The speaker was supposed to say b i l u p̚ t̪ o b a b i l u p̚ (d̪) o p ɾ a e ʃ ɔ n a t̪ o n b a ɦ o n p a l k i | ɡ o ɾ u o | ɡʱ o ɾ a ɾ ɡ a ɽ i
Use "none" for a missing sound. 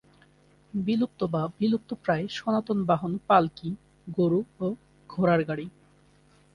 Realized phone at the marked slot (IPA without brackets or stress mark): t̪